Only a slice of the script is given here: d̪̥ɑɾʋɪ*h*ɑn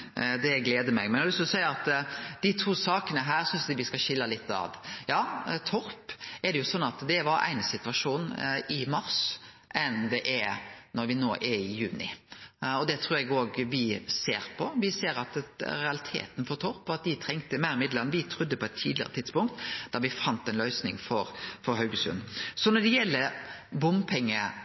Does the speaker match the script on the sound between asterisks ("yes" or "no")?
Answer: no